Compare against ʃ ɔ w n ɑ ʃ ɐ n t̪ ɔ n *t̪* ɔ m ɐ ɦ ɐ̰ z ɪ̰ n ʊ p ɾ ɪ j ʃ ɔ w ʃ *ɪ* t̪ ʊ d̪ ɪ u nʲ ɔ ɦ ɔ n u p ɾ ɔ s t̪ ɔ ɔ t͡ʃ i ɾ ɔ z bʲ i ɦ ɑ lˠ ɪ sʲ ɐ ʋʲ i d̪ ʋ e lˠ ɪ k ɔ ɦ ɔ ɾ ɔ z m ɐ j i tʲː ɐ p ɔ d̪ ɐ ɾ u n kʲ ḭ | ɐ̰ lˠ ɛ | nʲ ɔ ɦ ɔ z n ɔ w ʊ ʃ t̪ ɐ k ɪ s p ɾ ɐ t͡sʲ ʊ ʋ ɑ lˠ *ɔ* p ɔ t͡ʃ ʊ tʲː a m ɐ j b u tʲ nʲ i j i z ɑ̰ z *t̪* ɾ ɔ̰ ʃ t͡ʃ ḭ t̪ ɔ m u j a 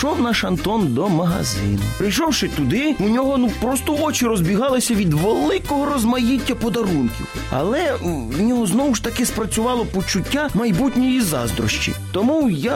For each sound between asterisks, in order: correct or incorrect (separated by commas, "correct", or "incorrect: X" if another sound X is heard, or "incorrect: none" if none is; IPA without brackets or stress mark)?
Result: incorrect: d̪, correct, correct, incorrect: d̪